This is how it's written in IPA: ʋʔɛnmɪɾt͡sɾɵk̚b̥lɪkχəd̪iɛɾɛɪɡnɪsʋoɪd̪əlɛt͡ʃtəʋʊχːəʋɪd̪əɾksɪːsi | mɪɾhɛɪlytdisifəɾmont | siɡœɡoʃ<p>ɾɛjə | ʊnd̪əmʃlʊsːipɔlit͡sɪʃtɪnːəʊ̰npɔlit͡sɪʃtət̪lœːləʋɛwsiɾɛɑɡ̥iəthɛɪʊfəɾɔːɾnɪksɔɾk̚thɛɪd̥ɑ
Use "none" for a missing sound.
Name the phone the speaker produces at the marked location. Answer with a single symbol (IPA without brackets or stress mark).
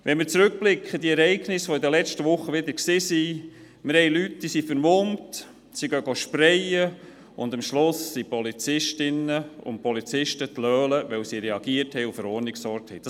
p